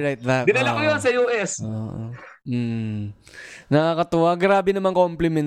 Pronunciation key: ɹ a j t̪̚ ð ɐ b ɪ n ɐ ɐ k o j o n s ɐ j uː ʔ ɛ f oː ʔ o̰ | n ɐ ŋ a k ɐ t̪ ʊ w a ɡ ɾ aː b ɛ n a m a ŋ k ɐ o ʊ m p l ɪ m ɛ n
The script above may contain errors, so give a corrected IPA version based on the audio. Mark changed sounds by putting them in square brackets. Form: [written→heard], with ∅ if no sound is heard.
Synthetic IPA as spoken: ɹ a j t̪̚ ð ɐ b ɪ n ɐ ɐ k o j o n s ɐ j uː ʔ ɛ [f→s] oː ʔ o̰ | n ɐ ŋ a k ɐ t̪ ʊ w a ɡ ɾ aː b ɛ n [a→ɐ] m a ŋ k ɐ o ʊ m p l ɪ m ɛ n